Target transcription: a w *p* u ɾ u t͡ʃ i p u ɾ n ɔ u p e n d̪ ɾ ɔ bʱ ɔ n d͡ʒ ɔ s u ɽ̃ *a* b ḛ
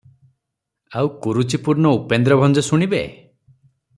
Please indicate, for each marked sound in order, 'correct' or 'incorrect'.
incorrect: k, incorrect: i

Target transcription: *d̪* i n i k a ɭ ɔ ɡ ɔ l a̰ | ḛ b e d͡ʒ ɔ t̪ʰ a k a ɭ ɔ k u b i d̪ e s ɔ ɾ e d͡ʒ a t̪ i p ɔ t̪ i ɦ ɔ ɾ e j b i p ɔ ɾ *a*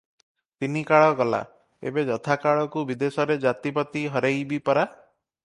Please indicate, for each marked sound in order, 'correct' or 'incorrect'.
incorrect: t̪, correct

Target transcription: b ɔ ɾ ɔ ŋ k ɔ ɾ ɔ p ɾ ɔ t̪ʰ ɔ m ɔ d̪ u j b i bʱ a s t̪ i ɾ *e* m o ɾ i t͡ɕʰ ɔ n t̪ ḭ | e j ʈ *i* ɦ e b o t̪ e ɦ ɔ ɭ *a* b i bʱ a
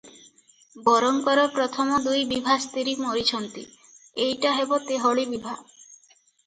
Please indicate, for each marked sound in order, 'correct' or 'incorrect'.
incorrect: i, incorrect: a, incorrect: i

